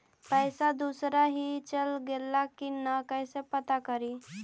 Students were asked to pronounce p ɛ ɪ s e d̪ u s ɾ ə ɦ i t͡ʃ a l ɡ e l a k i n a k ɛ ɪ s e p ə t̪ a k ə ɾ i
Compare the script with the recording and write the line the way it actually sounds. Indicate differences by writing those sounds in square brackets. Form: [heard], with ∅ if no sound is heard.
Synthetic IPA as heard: p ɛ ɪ s [a] d̪ u s ɾ [a] ɦ i t͡ʃ [ə] l ɡ e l a k i n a k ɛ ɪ s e p ə t̪ a k ə ɾ i